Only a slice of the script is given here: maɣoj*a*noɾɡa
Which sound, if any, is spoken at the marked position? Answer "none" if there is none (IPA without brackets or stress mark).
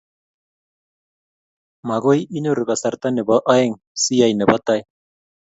i